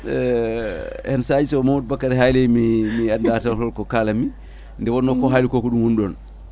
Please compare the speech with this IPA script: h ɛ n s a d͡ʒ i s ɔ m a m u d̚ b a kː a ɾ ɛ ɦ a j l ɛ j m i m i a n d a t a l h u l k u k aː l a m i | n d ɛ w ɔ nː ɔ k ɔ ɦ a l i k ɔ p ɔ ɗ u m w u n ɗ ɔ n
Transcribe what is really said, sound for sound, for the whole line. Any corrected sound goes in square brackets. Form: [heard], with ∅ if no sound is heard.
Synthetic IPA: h ɛ n s a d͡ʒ i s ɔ m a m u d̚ b a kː a ɾ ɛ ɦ a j l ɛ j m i m i a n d a t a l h [ɔ] l k [ɔ] k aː l a m i | n d ɛ w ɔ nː ɔ k ɔ ɦ a l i k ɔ [k] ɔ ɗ u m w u n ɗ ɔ n